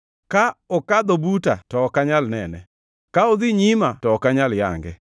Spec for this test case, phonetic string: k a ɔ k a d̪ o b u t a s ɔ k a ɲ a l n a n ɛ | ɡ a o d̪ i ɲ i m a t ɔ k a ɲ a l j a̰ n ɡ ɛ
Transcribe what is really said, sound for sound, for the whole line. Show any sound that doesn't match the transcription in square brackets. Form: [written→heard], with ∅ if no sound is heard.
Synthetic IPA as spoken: k a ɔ k a d̪ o b u t a [s→t] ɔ k a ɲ a l n [a→ɛ] n ɛ | [ɡ→k] a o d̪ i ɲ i m a t ɔ k a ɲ a l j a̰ [n→ŋ] ɡ ɛ